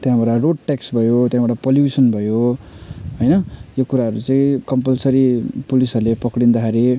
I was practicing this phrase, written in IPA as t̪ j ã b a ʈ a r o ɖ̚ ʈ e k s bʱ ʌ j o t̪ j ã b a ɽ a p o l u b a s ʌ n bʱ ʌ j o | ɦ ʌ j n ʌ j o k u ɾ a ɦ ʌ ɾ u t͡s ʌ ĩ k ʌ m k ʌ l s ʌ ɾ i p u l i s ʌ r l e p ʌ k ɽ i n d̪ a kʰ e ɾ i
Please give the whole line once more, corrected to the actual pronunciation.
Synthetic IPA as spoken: t̪ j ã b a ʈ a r o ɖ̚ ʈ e k s bʱ ʌ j o t̪ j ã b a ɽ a p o l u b i s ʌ n bʱ ʌ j o | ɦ ʌ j n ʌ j o k u ɾ a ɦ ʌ ɾ u t͡s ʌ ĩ k ʌ m p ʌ l s ʌ ɾ i p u l i s ʌ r l e p ʌ k ɽ i n d̪ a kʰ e ɾ i

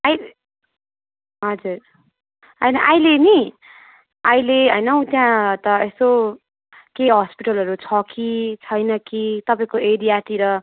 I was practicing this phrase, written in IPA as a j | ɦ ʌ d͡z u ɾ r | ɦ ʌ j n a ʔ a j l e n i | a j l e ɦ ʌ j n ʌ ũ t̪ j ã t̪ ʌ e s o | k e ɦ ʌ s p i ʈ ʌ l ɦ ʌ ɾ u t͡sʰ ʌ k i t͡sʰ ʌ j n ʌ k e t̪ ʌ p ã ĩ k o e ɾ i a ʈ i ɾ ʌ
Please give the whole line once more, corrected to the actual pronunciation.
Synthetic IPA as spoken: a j | ɦ ʌ d͡z u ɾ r | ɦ ʌ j n ʌ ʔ a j l e n i | a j l e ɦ ʌ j n ʌ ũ t̪ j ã t̪ ʌ e s o | k e ɦ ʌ s p i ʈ ʌ l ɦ ʌ ɾ u t͡sʰ ʌ k i t͡sʰ ʌ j n ʌ k i t̪ ʌ p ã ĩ k o e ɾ i a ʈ i ɾ ʌ

